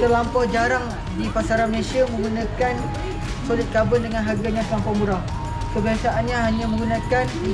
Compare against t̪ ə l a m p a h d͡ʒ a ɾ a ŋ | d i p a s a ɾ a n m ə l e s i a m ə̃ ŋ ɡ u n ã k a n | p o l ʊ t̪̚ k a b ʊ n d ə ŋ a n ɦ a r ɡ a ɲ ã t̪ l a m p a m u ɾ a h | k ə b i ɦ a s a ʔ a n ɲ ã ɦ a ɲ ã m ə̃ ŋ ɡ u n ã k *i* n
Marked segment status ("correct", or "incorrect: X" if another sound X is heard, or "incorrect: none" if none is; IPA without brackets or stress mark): incorrect: a